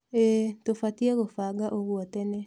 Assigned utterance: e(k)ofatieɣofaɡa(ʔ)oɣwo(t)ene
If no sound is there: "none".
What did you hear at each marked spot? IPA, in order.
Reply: t, ʔ, t

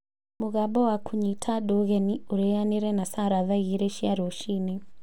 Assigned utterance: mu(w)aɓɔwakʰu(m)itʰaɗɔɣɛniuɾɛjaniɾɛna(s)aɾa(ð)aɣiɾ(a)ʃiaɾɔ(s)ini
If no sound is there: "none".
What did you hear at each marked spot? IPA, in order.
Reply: ɣ, ɲ, s, ð, ɛ, ʃ

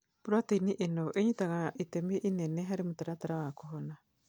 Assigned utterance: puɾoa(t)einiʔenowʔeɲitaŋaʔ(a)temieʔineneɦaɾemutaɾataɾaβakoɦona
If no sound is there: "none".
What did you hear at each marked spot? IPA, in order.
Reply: t, i

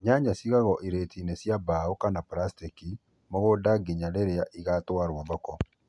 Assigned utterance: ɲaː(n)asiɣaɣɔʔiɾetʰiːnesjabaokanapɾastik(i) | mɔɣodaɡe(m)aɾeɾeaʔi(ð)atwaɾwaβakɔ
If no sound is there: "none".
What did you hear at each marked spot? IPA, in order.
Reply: ɲ, i, ɲ, ɣ

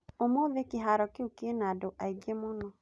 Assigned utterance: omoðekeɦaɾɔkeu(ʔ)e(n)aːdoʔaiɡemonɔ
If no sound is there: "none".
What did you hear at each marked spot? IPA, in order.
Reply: k, n

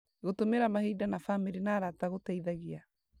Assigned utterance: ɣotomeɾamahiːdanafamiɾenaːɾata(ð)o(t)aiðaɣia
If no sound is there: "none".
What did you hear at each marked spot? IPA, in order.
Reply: ɣ, t

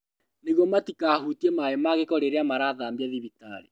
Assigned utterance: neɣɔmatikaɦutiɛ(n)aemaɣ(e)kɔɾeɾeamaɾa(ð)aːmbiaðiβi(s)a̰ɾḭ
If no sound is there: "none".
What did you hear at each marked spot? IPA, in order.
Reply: m, e, ð, t

